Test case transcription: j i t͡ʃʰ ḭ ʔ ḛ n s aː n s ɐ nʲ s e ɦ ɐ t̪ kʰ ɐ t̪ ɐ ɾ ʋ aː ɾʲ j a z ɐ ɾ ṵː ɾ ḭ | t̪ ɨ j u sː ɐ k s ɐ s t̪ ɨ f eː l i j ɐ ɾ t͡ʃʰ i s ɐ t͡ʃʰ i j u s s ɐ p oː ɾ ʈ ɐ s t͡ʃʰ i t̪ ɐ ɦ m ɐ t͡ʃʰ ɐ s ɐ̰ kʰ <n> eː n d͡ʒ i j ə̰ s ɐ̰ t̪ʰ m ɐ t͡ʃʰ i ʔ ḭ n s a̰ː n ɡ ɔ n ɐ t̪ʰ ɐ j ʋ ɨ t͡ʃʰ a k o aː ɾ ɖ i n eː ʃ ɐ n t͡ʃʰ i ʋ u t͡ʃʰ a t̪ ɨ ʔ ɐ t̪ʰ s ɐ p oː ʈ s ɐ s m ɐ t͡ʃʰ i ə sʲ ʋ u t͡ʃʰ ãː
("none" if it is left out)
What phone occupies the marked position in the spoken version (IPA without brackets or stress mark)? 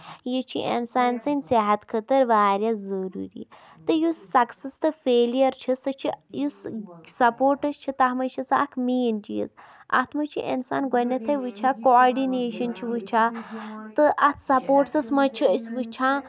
m